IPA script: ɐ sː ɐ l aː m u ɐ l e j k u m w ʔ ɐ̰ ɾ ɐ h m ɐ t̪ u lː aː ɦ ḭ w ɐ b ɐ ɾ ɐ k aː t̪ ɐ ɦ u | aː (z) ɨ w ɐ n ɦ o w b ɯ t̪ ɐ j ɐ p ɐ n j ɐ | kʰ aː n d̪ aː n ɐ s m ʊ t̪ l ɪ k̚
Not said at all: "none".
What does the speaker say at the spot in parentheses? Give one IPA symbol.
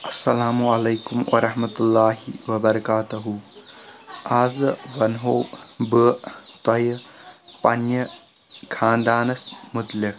z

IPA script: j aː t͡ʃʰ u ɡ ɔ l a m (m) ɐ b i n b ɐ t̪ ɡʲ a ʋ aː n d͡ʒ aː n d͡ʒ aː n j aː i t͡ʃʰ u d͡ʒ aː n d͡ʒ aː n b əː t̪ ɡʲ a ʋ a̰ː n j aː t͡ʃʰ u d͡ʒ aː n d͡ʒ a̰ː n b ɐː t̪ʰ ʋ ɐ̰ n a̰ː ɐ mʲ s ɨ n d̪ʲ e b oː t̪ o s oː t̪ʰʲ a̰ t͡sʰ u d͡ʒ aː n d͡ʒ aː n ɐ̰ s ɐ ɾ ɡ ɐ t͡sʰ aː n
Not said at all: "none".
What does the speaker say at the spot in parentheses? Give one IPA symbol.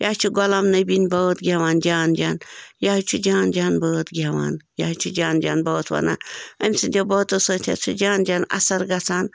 n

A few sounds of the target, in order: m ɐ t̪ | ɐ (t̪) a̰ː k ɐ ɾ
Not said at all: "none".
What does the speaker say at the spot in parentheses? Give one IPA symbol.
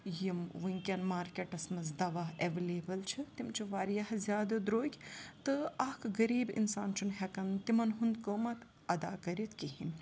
d̪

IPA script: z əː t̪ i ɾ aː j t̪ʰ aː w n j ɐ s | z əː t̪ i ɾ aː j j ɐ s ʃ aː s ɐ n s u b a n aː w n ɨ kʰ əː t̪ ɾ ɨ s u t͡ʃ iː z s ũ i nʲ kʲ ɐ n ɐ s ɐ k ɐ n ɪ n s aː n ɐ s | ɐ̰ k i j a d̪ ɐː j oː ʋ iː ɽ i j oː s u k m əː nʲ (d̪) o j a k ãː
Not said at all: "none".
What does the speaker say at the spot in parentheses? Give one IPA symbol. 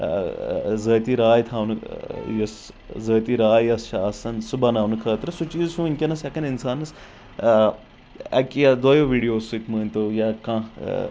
t̪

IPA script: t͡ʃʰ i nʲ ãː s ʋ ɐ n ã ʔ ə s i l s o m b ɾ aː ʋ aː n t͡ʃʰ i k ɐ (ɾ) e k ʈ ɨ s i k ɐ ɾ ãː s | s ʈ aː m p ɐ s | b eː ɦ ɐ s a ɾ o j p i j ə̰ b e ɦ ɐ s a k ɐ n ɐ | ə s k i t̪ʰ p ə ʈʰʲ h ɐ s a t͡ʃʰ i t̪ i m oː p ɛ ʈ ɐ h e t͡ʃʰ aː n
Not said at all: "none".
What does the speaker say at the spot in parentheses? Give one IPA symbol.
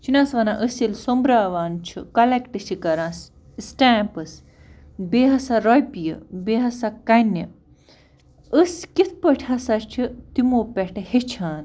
l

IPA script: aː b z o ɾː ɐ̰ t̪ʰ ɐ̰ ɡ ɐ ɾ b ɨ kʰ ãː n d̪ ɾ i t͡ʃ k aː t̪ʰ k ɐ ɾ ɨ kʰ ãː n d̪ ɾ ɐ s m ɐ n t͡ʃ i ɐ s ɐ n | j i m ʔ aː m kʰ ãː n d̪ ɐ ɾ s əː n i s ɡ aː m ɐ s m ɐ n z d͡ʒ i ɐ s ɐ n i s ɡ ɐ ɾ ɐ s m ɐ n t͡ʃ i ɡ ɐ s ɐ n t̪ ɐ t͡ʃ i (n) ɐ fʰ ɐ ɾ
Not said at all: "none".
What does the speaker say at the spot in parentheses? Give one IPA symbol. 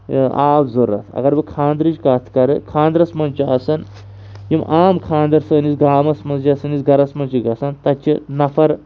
n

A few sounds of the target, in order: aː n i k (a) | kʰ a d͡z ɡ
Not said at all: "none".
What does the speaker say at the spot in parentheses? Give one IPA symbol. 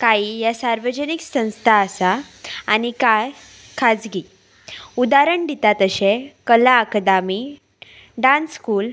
a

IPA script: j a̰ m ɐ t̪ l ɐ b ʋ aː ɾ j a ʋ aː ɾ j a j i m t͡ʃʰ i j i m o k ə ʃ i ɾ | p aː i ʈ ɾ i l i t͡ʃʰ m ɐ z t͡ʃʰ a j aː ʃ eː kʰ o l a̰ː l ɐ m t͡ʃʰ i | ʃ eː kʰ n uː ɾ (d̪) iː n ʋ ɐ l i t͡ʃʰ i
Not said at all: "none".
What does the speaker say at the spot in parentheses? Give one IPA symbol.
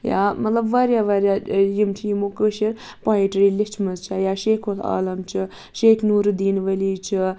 d̪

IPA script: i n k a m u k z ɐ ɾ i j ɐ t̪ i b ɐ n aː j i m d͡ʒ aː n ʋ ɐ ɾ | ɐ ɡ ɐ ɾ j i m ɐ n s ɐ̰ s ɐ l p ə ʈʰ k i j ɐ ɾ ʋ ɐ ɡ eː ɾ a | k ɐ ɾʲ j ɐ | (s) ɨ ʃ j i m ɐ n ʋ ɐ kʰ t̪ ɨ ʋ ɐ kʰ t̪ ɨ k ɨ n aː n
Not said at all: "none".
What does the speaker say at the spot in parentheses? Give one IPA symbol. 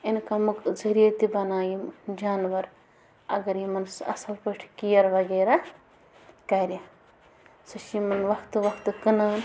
s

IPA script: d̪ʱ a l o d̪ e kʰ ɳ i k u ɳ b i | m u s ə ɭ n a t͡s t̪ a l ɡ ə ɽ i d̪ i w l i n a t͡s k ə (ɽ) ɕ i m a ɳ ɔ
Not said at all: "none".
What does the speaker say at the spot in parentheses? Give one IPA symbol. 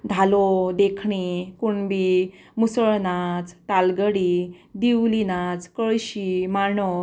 ɭ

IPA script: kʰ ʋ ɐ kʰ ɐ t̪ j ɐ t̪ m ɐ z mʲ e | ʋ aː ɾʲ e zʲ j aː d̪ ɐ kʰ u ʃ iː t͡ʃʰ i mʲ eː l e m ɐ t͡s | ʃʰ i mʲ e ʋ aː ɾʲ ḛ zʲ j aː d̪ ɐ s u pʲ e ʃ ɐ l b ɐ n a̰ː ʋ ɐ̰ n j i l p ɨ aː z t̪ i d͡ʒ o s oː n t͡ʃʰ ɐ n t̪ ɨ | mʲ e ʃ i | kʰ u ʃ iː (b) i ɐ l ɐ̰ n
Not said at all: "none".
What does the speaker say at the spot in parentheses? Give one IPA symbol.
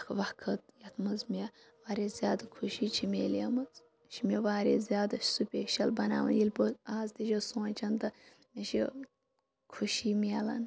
m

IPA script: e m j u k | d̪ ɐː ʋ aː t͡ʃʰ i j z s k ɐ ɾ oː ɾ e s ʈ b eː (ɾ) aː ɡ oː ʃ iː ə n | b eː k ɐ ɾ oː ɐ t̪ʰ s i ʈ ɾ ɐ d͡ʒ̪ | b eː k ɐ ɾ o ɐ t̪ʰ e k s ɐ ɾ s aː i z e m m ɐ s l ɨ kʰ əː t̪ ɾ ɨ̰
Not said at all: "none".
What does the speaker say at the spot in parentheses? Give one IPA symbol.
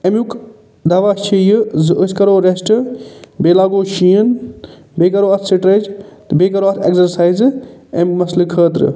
l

